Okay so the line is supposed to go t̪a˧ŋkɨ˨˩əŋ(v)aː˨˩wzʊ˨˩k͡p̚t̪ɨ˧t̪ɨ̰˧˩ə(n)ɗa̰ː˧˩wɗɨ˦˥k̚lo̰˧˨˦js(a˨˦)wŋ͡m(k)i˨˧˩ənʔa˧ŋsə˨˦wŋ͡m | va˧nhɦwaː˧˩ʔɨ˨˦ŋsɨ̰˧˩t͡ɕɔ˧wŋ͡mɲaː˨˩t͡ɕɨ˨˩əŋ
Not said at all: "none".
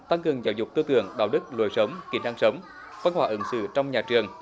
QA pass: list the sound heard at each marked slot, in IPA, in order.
z, ŋ, ə˨˦, k

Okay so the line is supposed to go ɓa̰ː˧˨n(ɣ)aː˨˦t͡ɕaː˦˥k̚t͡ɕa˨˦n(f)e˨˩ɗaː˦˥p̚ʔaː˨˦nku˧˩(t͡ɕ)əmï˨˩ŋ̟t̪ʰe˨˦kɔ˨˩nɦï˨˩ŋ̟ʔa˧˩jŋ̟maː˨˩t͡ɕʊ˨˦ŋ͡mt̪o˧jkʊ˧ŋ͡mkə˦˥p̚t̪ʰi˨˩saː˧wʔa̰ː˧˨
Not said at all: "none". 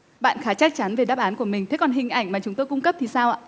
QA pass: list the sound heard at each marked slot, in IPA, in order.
x, v, none

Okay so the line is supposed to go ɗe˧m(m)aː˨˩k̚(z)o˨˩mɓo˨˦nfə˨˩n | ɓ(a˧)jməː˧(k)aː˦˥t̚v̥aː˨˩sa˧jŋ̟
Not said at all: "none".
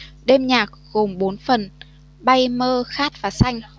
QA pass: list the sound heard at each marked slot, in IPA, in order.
ɲ, ɣ, a˧, x

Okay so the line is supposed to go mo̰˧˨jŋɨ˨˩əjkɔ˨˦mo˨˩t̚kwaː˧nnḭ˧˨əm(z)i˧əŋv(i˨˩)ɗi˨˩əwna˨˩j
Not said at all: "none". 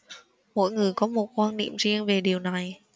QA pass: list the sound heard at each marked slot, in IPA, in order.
z, e˨˩

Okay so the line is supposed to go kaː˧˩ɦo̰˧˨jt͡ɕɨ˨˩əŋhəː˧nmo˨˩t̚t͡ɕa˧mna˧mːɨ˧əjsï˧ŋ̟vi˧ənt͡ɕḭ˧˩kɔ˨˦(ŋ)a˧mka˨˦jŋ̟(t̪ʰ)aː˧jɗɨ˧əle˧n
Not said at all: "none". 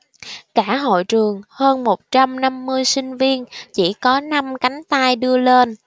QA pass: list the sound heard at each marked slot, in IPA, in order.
n, t̪

